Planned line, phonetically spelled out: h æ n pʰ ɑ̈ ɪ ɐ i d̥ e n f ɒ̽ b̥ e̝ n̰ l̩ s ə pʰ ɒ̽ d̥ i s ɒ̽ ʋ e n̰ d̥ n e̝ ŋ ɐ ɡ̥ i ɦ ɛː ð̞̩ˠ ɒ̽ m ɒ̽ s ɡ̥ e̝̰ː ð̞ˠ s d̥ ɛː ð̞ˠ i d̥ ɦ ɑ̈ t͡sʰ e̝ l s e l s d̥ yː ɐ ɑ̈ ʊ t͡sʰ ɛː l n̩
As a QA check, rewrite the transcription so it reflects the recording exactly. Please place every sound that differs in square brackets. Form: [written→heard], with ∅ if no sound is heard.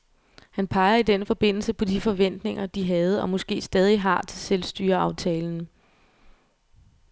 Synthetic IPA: h æ n pʰ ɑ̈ ɪ ɐ i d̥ e n f ɒ̽ b̥ e̝ n̰ l̩ s ə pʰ ɒ̽ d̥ i [s→f] ɒ̽ ʋ e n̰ d̥ n e̝ ŋ ɐ [ɡ̥→d̥] i ɦ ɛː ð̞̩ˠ ɒ̽ m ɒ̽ s ɡ̥ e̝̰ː [ð̞ˠ→∅] s d̥ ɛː ð̞ˠ i [d̥→∅] ɦ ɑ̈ t͡sʰ e̝ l s e l s d̥ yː ɐ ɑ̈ ʊ t͡sʰ ɛː l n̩